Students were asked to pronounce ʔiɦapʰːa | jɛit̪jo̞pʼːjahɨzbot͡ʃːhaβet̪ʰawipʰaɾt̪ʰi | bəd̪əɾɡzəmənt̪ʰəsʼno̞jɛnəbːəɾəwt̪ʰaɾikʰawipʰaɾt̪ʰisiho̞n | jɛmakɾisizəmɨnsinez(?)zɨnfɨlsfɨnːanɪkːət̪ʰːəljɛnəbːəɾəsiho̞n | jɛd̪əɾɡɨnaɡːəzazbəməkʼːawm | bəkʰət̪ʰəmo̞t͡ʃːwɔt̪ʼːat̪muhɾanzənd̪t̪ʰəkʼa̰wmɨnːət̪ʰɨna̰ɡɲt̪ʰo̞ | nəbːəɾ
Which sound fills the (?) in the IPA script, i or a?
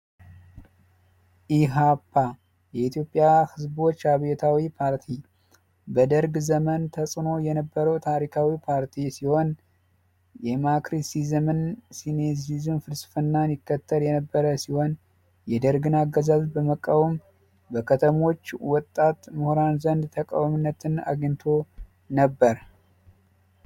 i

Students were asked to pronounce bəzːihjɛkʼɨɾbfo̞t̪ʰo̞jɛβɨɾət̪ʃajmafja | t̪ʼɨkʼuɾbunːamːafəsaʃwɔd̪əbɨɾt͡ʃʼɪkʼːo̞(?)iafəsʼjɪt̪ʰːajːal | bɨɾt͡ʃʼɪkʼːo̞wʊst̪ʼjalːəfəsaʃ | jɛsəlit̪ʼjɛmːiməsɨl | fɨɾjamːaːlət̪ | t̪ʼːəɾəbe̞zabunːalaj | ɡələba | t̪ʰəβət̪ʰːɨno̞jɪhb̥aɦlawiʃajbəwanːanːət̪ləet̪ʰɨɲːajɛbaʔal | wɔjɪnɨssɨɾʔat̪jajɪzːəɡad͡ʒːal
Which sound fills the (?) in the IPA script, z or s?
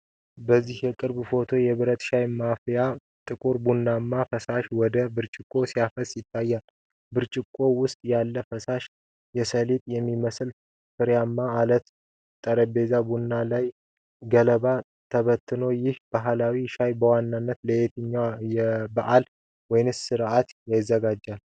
s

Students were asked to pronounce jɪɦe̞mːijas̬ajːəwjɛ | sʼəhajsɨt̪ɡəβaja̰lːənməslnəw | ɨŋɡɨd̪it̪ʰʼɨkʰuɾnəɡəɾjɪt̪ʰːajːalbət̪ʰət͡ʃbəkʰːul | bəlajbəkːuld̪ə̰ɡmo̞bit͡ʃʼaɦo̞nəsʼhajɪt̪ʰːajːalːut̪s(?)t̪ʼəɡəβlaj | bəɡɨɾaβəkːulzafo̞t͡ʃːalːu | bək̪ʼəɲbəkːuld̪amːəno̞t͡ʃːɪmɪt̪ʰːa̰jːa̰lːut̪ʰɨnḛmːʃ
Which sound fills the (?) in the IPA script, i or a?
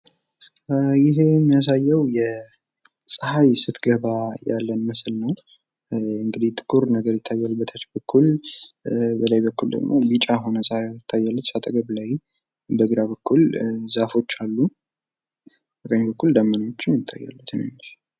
a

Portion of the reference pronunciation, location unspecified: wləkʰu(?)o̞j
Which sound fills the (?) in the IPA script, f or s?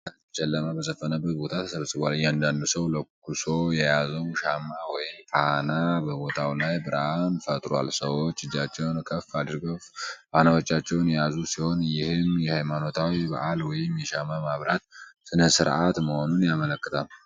s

